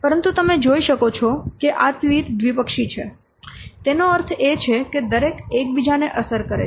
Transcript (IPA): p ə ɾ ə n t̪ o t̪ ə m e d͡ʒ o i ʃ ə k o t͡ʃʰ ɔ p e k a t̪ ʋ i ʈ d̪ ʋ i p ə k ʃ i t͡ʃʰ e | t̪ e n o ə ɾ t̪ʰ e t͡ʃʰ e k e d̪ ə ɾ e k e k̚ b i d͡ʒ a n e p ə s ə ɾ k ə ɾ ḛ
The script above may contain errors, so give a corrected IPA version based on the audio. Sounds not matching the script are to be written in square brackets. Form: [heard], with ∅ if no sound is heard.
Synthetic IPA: p ə ɾ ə n t̪ [u] t̪ ə m e d͡ʒ o i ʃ ə k o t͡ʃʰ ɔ [k] e [ʔ] a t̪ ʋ i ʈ d̪ ʋ i p ə k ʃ i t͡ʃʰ e | t̪ e n o ə ɾ t̪ʰ e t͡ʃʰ e k e d̪ ə ɾ e k e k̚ b i d͡ʒ a n e [ʔ] ə s ə ɾ k ə ɾ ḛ